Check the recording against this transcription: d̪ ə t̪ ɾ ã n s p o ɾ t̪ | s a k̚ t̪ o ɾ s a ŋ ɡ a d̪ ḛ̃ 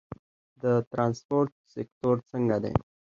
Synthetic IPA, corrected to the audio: d̪ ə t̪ ɾ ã n s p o ɾ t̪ | s e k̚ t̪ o ɾ s ə ŋ ɡ a d̪ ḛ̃

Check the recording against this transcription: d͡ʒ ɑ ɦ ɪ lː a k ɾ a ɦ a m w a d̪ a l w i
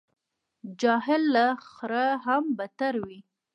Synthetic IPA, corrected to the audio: d͡ʒ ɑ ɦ ɪ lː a x ɾ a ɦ a m b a t̪ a ɾ w i

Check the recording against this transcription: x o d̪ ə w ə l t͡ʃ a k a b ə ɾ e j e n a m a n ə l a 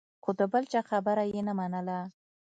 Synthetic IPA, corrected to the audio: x o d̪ ə b ə l t͡ʃ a x a b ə ɾ a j e n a m a n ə l a

